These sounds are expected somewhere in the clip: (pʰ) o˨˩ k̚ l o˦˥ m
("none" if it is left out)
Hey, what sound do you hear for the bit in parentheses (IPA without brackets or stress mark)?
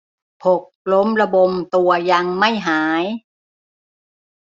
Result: pʰ